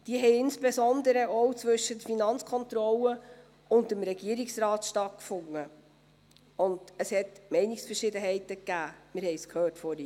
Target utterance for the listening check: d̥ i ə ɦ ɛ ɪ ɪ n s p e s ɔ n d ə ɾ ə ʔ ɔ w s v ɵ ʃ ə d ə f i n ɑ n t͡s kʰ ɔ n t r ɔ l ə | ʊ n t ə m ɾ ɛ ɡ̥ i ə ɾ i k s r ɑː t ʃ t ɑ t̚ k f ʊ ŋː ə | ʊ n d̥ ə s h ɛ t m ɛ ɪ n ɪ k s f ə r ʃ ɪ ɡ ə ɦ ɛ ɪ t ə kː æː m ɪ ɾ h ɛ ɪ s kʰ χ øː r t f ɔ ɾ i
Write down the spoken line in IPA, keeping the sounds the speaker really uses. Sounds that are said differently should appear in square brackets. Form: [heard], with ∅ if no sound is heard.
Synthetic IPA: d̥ i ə ɦ ɛ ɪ ɪ n s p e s ɔ n d ə ɾ ə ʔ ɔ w [t͡s] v ɵ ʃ ə d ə f i n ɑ n t͡s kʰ ɔ n t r ɔ l ə | ʊ n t ə m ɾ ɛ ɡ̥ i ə ɾ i k s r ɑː t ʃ t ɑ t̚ k f ʊ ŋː ə | ʊ n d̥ ə s h ɛ t m ɛ ɪ n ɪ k s f ə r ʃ ɪ [d] ə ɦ ɛ ɪ t ə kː æː m ɪ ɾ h ɛ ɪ s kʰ [h] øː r t f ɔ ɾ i